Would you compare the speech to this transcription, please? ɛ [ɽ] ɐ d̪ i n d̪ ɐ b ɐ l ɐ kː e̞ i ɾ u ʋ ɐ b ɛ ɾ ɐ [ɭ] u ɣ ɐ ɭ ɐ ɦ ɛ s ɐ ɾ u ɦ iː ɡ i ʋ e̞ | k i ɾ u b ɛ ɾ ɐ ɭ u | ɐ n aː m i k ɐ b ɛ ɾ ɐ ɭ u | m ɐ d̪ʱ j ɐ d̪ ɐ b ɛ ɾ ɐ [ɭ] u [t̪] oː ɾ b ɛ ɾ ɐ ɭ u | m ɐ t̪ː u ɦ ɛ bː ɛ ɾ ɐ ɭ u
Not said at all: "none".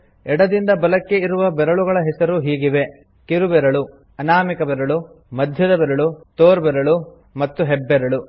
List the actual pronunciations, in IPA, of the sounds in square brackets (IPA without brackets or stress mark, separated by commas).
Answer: ɽ, ɭ, ɭ, t̪